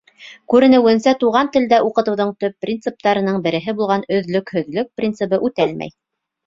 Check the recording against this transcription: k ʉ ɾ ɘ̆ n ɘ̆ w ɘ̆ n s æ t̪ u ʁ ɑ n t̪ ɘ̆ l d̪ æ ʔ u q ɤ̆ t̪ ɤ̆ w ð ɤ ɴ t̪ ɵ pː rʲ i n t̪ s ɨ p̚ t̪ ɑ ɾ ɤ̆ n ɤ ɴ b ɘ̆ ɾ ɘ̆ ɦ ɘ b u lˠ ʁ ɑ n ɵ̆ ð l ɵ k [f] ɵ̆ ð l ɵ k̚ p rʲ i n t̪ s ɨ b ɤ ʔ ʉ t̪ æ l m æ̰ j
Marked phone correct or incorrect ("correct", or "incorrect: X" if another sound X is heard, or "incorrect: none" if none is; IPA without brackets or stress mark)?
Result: incorrect: h